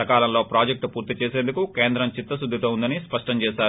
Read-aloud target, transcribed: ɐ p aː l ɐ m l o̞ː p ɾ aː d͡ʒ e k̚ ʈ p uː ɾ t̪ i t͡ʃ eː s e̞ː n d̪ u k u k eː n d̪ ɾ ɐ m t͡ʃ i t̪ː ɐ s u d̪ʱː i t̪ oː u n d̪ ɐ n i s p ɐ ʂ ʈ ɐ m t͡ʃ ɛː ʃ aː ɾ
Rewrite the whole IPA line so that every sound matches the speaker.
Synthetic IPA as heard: ɐ k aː l ɐ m l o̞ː p ɾ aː d͡ʒ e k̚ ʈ p uː ɾ t̪ i t͡ʃ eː s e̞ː n d̪ u k u k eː n d̪ ɾ ɐ m t͡ʃ i t̪ː ɐ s u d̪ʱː i t̪ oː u n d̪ ɐ n i s p ɐ ʂ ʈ ɐ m t͡ʃ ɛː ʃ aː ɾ